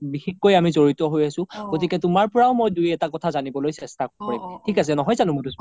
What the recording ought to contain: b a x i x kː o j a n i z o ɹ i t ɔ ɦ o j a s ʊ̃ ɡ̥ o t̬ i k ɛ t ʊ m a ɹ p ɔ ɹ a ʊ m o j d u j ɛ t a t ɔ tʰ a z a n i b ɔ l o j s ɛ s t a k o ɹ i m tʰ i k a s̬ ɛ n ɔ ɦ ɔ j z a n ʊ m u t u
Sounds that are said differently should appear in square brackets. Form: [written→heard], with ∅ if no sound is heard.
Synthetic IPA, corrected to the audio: b [a→i] x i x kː o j a [n→m] i z o ɹ i t ɔ ɦ o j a s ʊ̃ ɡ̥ o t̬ i k ɛ t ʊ m a ɹ p ɔ ɹ a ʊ m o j d u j ɛ t a [t→k] ɔ tʰ a z a n i b ɔ l o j s ɛ s t a k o ɹ i m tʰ i k a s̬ ɛ n ɔ ɦ ɔ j z a n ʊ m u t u